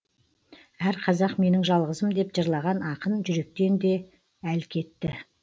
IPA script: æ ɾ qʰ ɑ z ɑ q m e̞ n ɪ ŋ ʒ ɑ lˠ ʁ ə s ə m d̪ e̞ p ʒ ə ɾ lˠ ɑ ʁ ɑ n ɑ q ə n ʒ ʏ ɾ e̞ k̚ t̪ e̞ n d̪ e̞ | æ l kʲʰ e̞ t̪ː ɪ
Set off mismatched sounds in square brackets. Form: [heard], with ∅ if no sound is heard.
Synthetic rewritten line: æ ɾ qʰ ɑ z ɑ q m e̞ n ɪ ŋ ʒ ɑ lˠ ʁ ə [z] ə m d̪ e̞ p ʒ ə ɾ lˠ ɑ ʁ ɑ n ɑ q ə n ʒ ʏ ɾ e̞ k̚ t̪ e̞ n d̪ e̞ | æ l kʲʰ e̞ t̪ː ɪ